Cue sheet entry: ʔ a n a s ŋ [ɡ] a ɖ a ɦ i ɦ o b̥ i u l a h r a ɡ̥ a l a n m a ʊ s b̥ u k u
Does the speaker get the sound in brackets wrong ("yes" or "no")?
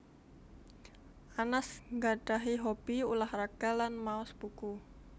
no